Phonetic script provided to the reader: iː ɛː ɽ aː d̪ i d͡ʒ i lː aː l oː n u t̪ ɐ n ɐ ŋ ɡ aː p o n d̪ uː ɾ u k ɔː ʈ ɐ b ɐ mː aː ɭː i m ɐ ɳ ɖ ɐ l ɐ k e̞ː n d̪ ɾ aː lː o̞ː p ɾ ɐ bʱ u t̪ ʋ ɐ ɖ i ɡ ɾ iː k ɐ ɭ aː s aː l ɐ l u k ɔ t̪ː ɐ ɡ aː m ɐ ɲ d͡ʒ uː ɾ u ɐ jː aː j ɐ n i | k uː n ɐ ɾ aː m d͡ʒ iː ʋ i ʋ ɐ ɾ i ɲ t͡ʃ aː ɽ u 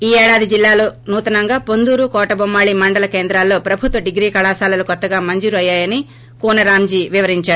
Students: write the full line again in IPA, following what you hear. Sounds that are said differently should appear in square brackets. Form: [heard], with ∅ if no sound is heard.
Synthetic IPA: iː ɛː ɽ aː d̪ i d͡ʒ i lː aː l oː n [uː] t̪ ɐ n ɐ ŋ ɡ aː p o n d̪ uː ɾ u k ɔː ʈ ɐ b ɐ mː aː [ɭ] i m ɐ ɳ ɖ ɐ l ɐ k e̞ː n d̪ ɾ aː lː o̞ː p ɾ ɐ bʱ u t̪ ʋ ɐ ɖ i ɡ ɾ iː k ɐ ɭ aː s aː l ɐ l u k ɔ t̪ː ɐ ɡ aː m ɐ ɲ d͡ʒ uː ɾ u ɐ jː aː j ɐ n i | k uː n ɐ ɾ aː m d͡ʒ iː ʋ i ʋ ɐ ɾ i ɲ t͡ʃ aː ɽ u